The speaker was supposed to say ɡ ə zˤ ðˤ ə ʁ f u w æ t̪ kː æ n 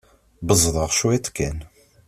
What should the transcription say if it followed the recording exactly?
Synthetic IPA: b ə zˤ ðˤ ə ʁ ʃ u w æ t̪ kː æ n